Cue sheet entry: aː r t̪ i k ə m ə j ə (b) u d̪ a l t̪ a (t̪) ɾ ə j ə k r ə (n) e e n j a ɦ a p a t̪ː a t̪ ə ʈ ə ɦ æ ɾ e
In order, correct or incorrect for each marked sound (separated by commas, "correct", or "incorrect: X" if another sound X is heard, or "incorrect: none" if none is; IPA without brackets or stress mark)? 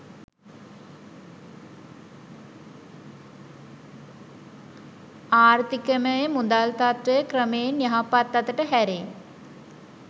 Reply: incorrect: m, correct, incorrect: m